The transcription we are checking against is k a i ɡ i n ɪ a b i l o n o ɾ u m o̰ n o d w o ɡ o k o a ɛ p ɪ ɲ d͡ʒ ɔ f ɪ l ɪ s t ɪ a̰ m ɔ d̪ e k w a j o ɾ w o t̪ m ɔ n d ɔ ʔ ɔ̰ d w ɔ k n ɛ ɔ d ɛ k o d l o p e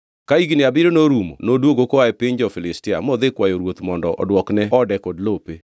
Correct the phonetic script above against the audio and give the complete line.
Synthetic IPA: k a i ɡ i n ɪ a b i ɾ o n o ɾ u m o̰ n o d w o ɡ o k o a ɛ p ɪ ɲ d͡ʒ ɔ f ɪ l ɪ s t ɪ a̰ m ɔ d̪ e k w a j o ɾ w o t̪ m ɔ n d ɔ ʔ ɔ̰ d w ɔ k n ɛ ɔ d ɛ k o d l o p e